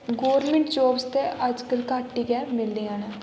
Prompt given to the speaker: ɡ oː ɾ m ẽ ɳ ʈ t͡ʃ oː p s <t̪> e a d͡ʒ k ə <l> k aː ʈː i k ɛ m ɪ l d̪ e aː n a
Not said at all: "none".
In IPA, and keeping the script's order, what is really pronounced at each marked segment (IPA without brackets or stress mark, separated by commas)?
t̪, l